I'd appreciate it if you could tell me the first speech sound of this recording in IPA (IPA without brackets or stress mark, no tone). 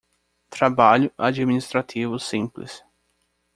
t̪